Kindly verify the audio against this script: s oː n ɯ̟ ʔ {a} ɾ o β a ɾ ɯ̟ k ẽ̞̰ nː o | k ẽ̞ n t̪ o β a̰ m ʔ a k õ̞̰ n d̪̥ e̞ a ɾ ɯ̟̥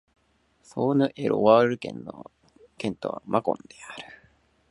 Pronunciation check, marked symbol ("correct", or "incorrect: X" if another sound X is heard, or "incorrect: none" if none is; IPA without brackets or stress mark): incorrect: e